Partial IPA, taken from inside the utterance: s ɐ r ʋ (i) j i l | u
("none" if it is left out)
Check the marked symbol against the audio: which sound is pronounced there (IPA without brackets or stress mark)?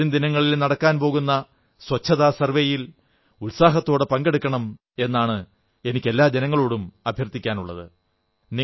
e